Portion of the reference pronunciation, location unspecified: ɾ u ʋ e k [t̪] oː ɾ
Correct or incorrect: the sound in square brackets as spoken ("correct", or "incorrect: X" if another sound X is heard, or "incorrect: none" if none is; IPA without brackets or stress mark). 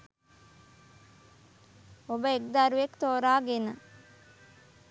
correct